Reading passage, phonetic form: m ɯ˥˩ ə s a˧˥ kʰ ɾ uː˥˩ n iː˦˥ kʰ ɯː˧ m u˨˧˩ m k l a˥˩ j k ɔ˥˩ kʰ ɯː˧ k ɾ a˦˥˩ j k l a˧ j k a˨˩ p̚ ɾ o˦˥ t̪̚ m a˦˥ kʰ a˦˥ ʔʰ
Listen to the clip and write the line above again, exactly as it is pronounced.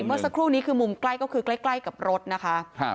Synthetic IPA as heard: m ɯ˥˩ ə s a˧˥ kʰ ɾ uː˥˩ n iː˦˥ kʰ ɯː˧ m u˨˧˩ m k l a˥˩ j k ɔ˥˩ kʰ ɯː˧ k l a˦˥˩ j k l a˥˩ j k a˨˩ p̚ ɾ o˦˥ t̪̚ n a˦˥ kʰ a˦˥ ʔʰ